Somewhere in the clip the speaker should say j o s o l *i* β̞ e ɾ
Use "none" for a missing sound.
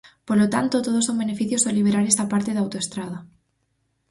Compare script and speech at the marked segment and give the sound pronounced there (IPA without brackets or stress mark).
i